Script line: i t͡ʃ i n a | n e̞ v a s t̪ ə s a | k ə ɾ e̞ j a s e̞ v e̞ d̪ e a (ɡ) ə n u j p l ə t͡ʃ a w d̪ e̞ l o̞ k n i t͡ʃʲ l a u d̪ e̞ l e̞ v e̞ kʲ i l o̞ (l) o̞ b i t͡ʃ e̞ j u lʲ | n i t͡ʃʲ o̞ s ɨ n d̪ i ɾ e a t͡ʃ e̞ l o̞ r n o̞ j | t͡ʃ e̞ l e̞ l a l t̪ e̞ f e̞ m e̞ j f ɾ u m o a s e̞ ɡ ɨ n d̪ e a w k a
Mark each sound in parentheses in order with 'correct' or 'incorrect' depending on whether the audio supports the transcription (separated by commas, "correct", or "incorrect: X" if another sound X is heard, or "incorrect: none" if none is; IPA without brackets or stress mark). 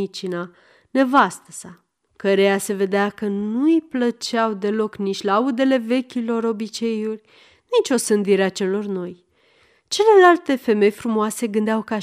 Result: incorrect: k, incorrect: ɾ